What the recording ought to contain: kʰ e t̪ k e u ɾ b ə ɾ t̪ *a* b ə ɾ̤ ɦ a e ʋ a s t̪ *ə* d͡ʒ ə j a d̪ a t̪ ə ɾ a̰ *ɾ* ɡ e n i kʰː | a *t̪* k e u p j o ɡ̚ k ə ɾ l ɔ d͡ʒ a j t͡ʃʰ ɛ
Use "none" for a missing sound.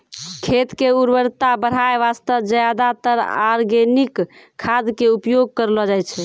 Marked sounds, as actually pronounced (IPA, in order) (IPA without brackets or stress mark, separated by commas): a, ə, ɾ, d̪